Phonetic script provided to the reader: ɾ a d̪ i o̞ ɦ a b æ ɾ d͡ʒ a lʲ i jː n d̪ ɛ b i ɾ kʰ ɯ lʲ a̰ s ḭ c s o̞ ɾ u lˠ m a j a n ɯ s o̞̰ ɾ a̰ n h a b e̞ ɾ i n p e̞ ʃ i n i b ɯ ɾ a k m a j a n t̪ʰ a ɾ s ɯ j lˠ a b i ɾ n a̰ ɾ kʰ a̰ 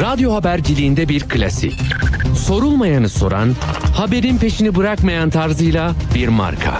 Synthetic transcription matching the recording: ɾ a d̪ j o̞ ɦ a b æ ɾ d͡ʒ i lʲ i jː n d̪ ɛ b i ɾ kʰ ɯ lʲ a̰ s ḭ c s o̞ ɾ u lˠ m a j a n ɯ s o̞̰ ɾ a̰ n h a b e̞ ɾ i n p e̞ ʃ i n i b ɯ ɾ a k m a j a n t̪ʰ a ɾ z ɯ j lˠ a b i ɾ m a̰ ɾ kʰ a̰